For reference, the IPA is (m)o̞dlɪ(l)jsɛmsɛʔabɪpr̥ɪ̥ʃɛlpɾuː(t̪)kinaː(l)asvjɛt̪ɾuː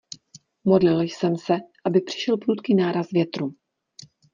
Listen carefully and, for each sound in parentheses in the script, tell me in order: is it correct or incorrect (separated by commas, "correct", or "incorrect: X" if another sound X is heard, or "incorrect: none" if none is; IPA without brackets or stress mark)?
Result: correct, correct, correct, incorrect: ɾ